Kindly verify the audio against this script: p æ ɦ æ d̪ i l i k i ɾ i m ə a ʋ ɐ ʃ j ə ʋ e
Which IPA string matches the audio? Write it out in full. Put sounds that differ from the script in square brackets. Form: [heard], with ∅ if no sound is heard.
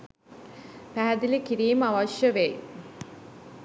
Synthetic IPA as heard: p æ ɦ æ d̪ i l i k i ɾ [iː] m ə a ʋ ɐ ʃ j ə ʋ e